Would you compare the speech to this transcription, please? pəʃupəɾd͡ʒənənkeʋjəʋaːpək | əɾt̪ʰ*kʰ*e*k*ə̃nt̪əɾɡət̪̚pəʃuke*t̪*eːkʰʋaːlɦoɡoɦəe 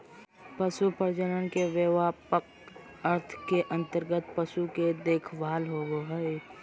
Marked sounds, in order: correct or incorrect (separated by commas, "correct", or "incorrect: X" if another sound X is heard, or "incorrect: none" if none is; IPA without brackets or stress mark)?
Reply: incorrect: k, incorrect: ʔ, incorrect: d̪